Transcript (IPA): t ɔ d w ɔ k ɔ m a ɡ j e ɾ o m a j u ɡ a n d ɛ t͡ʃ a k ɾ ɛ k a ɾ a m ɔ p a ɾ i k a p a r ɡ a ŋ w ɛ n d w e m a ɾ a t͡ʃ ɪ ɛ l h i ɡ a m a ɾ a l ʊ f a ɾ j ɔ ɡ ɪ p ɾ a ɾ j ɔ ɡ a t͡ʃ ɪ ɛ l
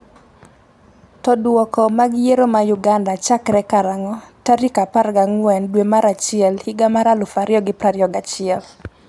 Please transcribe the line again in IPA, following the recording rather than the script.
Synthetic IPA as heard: t ɔ d w ɔ k ɔ m a ɡ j e ɾ o m a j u ɡ a n d a t͡ʃ a k ɾ ɛ k a ɾ a ŋ ɔ t a ɾ i k a p a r ɡ a ŋ w ɛ n d w e m a ɾ a t͡ʃ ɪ ɛ l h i ɡ a m a ɾ a l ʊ f a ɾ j ɔ ɡ ɪ p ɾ a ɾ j ɔ ɡ a t͡ʃ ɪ ɛ l